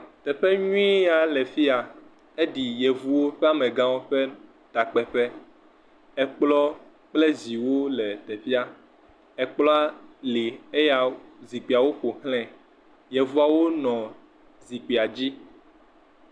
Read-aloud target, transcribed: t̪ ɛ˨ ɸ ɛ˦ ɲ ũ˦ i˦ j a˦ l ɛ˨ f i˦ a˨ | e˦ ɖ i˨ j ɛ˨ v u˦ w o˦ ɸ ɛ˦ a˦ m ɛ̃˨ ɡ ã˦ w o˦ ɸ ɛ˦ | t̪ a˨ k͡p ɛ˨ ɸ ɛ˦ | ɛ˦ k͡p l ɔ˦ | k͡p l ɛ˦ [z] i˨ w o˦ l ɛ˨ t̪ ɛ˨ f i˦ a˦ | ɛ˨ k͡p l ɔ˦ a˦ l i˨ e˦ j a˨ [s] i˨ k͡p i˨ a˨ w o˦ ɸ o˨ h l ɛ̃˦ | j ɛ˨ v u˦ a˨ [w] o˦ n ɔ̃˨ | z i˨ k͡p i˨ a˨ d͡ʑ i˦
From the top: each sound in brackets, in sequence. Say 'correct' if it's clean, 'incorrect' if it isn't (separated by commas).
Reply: correct, incorrect, correct